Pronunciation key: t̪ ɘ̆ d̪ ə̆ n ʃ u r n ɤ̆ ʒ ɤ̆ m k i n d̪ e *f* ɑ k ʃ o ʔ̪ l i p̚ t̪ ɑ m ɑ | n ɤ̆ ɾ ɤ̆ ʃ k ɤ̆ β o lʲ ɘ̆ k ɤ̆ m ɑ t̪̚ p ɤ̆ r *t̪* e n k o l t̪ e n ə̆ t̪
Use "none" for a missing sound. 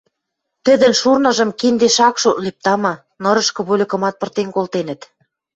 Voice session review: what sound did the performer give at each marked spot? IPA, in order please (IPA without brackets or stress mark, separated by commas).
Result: ʃ, t̪